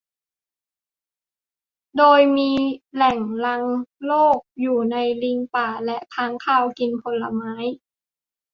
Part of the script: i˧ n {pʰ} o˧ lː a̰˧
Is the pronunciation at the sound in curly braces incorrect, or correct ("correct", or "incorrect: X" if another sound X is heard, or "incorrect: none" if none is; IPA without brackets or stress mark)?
correct